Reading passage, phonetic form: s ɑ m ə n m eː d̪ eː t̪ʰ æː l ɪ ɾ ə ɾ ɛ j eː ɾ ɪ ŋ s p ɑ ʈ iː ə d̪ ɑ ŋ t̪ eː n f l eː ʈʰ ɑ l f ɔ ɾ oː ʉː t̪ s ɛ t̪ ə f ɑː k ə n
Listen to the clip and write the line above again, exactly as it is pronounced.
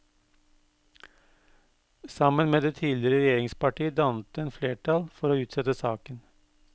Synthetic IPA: s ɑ m ə n m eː d̪ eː t̪ʰ iː l ɪ ɾ ə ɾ ɛ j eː ɾ ɪ ŋ s p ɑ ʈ iː ə d̪ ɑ n t̪ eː n f l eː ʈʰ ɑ l f ɔ ɾ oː ʉː t̪ s ɛ t̪ ə s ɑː k ə n